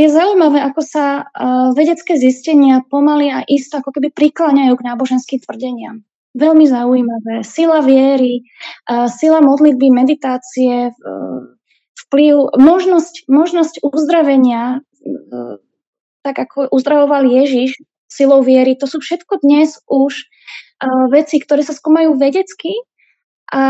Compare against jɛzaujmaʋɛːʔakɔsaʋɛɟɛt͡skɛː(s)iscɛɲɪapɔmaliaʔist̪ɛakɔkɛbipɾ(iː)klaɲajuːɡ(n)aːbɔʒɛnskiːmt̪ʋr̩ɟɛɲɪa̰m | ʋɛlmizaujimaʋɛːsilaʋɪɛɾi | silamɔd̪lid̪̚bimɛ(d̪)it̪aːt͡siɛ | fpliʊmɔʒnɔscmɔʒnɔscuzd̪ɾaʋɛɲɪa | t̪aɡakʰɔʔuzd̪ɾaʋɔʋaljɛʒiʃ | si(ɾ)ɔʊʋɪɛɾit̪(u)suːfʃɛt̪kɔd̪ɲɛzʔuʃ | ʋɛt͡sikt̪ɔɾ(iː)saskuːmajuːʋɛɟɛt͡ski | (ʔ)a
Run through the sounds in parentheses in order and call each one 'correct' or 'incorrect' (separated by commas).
incorrect, incorrect, correct, correct, incorrect, incorrect, incorrect, correct